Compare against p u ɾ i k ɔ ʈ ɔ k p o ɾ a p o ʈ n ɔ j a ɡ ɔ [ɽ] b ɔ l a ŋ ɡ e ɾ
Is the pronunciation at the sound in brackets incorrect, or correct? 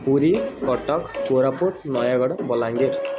correct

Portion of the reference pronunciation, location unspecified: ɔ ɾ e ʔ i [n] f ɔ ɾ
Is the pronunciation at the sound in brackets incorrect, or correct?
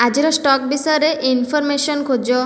correct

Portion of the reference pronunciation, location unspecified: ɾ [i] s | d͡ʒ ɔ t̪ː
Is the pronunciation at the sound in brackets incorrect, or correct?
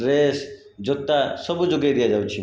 incorrect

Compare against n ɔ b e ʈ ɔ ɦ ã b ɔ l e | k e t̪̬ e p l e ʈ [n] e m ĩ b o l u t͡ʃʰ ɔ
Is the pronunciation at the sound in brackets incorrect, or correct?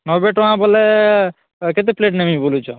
correct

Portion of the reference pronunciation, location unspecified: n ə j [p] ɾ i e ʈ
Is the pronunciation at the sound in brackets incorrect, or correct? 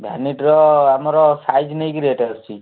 incorrect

